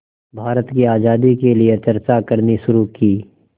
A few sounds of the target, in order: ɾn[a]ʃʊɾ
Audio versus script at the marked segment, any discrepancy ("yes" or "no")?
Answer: yes